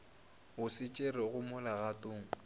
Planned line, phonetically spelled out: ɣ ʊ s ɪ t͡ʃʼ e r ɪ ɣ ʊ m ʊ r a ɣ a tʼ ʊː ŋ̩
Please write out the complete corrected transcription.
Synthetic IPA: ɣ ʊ s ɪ t͡ʃʼ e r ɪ ɣ ʊ m ʊ l a ɣ a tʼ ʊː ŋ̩